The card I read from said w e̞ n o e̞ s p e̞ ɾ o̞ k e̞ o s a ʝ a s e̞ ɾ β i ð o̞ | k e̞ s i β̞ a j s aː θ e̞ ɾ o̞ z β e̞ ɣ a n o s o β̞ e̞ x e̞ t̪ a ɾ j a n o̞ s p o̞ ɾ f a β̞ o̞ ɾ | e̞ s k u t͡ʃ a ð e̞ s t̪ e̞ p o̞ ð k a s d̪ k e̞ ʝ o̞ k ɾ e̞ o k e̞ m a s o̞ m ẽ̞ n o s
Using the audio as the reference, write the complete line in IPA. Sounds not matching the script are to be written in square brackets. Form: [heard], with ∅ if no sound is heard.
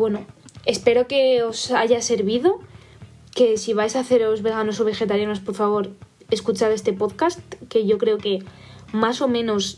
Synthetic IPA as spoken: w e̞ n o e̞ s p e̞ ɾ o̞ k e̞ o s a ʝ a s e̞ ɾ β i ð o̞ | k e̞ s i β̞ a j s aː θ e̞ ɾ o̞ z β e̞ ɣ a n o s o β̞ e̞ x e̞ t̪ a ɾ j a n o̞ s p o̞ ɾ f a β̞ o̞ ɾ | e̞ s k u t͡ʃ a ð e̞ s t̪ e̞ p o̞ ð k a s [t̪] k e̞ ʝ o̞ k ɾ e̞ o k e̞ m a s o̞ m ẽ̞ n o s